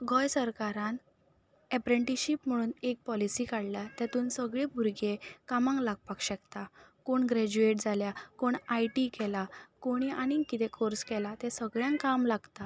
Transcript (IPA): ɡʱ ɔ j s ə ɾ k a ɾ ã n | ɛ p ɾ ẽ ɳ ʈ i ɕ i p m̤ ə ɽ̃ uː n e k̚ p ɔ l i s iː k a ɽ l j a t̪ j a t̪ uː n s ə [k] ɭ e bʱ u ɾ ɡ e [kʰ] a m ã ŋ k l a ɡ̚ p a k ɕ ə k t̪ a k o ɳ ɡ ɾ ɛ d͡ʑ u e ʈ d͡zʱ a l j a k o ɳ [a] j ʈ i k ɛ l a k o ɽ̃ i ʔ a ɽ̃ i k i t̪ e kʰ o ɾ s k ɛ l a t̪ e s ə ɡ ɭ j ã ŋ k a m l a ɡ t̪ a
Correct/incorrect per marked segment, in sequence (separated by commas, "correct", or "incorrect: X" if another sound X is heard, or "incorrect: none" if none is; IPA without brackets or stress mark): incorrect: ɡ, incorrect: k, correct